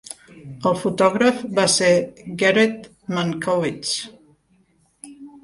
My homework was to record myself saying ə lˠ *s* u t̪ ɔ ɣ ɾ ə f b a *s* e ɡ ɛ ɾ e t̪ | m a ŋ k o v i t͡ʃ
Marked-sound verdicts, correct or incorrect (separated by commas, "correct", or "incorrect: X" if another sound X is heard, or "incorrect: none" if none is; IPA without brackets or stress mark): incorrect: f, correct